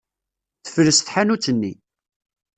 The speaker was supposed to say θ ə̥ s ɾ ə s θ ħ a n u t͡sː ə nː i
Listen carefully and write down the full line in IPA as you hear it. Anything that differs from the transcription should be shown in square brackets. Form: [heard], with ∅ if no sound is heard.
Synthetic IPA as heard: θ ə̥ [f] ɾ ə s θ ħ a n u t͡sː ə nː i